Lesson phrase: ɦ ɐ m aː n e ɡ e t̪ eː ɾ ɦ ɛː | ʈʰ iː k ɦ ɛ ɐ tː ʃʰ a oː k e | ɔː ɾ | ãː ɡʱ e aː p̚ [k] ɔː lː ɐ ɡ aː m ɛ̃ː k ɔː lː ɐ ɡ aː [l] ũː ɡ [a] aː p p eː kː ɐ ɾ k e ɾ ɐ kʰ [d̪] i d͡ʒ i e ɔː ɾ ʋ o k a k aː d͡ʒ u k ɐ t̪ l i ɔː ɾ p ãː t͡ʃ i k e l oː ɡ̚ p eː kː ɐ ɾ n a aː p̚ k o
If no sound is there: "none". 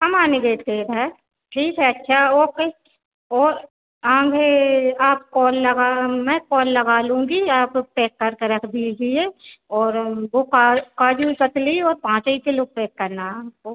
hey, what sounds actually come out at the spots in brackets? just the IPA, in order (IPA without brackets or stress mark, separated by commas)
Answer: k, l, i, d̪